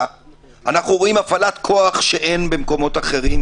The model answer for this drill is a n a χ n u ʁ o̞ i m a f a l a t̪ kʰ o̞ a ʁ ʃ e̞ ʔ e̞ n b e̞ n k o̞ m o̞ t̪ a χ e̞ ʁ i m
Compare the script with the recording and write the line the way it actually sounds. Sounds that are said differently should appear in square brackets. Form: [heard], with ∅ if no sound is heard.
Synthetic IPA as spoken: a n a χ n u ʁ o̞ i m a f a l a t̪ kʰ o̞ a [χ] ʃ e̞ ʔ e̞ n b e̞ [m] k o̞ m o̞ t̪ a χ e̞ ʁ i m